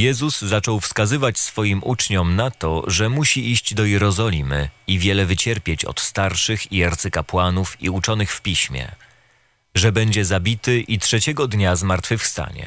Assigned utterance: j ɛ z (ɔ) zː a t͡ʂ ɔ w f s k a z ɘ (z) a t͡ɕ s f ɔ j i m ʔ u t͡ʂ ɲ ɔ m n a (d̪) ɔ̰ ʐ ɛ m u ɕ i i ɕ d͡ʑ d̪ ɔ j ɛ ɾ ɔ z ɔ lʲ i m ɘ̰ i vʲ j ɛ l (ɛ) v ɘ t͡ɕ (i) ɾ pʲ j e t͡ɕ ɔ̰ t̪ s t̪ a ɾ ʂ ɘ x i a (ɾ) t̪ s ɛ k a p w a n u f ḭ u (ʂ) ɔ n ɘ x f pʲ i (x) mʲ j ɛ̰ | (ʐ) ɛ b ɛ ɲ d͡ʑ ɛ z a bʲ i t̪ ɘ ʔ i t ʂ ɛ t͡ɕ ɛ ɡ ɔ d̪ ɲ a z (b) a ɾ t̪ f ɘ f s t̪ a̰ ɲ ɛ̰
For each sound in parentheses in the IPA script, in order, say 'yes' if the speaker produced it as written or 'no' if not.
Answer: no, no, no, yes, no, yes, no, no, yes, no

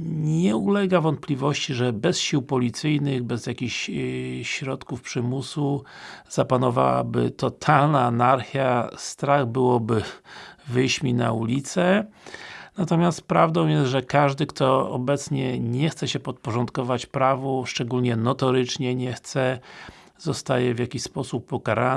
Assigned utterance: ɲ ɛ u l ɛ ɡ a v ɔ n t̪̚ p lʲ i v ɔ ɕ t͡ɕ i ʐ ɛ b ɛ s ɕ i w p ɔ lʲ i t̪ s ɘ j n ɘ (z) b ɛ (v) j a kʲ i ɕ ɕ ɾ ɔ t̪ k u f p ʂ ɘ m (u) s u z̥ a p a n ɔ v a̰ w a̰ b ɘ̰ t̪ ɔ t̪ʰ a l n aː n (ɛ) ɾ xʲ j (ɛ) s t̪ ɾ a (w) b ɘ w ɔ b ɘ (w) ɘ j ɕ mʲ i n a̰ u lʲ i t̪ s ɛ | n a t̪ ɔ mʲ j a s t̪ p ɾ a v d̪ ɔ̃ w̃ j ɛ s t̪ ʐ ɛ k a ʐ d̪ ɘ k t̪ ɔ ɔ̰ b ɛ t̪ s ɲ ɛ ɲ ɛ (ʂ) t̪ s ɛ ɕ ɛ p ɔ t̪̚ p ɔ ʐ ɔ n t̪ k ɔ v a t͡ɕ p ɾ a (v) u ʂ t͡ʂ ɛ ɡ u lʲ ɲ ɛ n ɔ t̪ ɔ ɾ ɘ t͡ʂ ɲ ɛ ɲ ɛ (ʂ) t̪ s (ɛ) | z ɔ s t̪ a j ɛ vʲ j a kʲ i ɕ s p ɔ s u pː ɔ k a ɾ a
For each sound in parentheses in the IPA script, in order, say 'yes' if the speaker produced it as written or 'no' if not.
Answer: no, no, yes, no, no, no, no, no, yes, no, yes

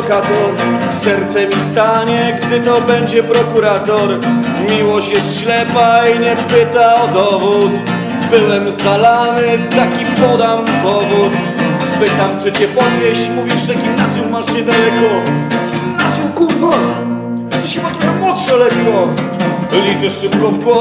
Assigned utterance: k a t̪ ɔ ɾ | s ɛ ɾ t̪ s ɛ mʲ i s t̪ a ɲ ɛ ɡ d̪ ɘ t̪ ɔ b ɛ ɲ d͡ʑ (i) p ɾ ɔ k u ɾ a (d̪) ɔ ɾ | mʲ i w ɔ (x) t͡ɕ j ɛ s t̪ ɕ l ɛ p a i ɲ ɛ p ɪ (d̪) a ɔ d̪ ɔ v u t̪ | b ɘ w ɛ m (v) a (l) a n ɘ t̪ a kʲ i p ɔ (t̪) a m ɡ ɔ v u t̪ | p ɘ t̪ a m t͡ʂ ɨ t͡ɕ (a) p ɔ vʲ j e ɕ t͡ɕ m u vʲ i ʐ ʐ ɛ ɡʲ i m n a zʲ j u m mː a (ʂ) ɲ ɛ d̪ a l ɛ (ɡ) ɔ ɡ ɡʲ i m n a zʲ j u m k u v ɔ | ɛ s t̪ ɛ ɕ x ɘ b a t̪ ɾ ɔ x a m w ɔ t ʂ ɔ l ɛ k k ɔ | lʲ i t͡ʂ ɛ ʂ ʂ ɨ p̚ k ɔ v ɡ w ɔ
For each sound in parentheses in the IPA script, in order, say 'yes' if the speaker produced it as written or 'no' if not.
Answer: no, no, no, no, no, yes, no, no, yes, no

